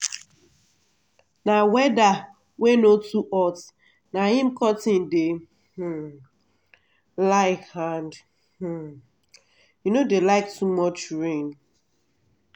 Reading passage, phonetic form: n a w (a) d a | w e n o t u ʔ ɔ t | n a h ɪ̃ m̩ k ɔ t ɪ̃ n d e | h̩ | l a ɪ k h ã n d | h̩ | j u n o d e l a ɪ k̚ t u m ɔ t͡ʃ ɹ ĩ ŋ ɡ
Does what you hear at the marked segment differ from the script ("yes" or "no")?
yes